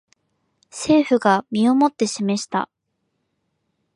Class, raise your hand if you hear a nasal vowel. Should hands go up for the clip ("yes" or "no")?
no